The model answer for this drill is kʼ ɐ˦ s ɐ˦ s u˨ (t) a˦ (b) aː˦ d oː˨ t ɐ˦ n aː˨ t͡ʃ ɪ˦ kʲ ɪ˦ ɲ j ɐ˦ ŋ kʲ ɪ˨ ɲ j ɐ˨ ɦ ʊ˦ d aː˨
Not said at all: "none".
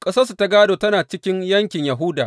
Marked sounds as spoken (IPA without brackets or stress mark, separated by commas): t, ɡ